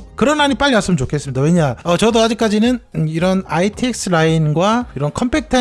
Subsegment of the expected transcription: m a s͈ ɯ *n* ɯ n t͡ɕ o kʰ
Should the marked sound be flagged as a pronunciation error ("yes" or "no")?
yes